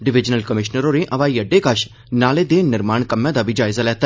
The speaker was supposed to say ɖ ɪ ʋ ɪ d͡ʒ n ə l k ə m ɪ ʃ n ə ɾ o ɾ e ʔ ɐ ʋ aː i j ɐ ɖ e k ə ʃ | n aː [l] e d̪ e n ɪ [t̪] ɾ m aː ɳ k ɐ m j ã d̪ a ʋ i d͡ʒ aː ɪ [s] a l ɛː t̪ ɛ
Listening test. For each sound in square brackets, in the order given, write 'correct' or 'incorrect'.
correct, incorrect: none, incorrect: z

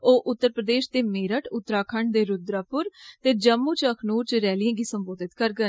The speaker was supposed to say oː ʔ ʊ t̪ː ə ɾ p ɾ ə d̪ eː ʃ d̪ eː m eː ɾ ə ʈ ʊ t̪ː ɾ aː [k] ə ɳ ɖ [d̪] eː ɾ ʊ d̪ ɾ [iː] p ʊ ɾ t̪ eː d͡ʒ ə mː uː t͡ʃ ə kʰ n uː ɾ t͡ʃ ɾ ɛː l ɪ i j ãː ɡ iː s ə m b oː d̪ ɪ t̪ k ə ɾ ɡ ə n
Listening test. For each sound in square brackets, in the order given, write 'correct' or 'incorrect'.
incorrect: kʰ, correct, incorrect: aː

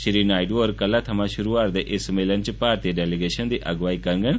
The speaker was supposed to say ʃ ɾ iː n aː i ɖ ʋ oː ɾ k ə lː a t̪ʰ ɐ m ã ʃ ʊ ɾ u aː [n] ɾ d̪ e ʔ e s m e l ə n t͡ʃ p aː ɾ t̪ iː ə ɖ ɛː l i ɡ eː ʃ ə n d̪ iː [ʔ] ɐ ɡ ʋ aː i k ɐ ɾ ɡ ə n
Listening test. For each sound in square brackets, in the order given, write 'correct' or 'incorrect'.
incorrect: none, correct

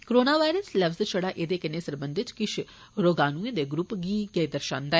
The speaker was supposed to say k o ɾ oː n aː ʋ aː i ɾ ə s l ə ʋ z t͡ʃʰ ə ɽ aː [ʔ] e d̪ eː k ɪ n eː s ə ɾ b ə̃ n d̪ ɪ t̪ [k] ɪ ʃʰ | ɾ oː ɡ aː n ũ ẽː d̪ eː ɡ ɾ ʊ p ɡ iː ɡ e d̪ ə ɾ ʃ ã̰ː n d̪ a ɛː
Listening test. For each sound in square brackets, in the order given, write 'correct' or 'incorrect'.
correct, correct

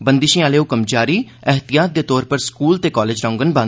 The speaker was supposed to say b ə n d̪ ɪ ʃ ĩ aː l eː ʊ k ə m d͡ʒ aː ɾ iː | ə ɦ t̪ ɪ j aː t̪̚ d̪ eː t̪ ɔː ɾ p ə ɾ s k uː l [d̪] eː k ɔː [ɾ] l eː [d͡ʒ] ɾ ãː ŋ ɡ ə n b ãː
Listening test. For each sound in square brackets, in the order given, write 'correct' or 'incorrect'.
incorrect: t̪, incorrect: none, correct

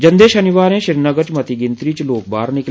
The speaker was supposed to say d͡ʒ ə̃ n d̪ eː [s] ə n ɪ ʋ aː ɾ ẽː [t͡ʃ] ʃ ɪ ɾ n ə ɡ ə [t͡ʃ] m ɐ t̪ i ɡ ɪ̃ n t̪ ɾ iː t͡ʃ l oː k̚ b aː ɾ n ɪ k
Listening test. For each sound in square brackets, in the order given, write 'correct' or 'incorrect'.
incorrect: ʃ, incorrect: none, correct

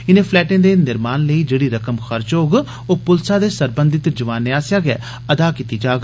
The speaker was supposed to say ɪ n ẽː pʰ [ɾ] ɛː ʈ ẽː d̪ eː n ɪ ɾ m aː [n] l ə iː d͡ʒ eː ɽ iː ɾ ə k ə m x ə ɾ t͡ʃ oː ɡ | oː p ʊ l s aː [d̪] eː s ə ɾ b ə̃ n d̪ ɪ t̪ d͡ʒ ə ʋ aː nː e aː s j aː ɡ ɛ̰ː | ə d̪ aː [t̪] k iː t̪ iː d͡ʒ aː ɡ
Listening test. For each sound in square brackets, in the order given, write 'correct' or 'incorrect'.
incorrect: l, correct, correct, incorrect: none

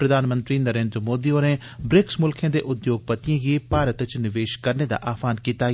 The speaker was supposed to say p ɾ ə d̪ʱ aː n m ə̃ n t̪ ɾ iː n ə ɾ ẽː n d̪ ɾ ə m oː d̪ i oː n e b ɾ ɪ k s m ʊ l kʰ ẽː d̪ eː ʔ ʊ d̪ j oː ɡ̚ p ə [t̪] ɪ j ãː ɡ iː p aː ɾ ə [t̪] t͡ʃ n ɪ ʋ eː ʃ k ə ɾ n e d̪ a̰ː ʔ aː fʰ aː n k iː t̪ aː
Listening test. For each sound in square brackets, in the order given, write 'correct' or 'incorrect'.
correct, correct

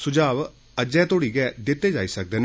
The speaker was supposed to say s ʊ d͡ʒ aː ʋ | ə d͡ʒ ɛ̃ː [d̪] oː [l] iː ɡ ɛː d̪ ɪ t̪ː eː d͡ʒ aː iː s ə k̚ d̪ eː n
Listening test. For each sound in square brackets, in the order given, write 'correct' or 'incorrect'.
incorrect: t̪, incorrect: ɽ

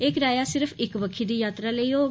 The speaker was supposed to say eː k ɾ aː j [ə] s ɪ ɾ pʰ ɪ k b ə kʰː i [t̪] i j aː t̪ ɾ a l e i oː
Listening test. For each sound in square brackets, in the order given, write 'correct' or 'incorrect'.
incorrect: a, incorrect: d̪

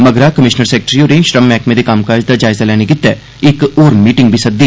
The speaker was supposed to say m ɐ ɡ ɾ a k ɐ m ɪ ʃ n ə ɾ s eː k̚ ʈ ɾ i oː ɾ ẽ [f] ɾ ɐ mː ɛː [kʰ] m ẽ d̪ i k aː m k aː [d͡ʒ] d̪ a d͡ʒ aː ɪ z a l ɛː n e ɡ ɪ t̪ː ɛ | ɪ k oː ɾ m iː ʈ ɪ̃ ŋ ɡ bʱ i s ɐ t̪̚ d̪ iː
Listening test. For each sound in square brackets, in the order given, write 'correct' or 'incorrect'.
incorrect: ʃ, incorrect: k, correct

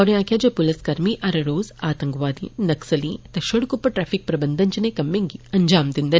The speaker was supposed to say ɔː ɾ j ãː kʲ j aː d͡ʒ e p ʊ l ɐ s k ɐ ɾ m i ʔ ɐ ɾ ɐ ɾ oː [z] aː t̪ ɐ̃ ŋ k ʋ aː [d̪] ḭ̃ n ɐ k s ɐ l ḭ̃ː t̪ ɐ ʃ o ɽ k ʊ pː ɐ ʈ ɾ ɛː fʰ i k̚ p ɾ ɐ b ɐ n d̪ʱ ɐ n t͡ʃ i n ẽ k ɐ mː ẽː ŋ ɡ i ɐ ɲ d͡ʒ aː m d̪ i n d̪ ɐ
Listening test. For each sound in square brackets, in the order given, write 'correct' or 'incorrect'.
correct, correct

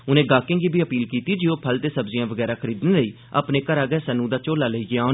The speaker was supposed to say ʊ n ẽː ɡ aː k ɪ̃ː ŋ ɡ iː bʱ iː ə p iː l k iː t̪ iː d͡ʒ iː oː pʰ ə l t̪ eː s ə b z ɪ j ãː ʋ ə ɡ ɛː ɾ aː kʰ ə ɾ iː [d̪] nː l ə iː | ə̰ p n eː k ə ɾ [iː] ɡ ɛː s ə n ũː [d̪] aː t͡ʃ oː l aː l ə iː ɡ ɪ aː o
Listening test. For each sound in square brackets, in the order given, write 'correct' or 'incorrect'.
correct, incorrect: aː, correct

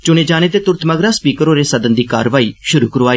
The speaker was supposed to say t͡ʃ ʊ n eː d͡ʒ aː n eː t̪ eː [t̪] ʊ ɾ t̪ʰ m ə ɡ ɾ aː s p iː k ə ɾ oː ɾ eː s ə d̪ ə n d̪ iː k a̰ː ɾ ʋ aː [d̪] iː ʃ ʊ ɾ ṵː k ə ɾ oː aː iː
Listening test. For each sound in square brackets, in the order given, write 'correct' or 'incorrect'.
correct, incorrect: none

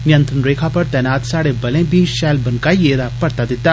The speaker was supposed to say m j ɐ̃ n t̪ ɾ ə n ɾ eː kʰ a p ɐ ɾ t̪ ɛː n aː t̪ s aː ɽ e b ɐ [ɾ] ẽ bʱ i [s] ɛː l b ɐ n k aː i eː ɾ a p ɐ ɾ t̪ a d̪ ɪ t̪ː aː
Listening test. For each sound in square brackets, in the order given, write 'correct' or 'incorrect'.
incorrect: l, incorrect: ʃ

